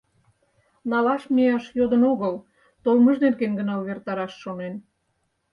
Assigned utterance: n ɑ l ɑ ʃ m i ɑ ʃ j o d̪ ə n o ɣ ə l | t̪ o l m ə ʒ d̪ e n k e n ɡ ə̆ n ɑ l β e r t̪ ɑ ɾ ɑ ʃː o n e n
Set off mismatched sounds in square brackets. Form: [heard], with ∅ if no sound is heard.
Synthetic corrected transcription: n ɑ l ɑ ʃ m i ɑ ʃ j o d̪ ə n o ɣ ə l | t̪ o l m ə ʒ d̪ e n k e n ɡ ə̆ n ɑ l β e r t̪ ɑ ɾ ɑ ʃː o n e n